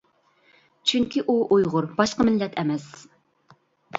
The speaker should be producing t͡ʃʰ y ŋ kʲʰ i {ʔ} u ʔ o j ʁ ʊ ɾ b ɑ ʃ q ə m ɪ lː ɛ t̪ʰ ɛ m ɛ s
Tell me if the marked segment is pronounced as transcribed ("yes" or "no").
yes